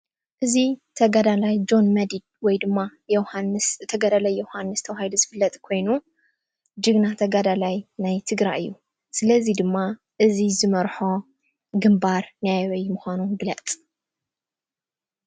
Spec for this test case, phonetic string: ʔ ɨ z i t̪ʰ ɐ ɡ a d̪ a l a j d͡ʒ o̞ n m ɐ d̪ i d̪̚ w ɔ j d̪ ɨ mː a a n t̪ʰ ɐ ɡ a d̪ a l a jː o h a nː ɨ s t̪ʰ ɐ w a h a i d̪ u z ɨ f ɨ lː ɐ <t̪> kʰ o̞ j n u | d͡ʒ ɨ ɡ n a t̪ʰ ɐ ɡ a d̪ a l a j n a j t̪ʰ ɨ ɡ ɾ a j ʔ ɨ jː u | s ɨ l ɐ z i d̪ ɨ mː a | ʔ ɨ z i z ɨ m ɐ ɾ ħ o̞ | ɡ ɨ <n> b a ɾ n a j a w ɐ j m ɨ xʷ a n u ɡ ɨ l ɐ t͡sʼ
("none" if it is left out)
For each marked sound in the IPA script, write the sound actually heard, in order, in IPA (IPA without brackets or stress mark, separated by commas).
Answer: t̪ʼ, m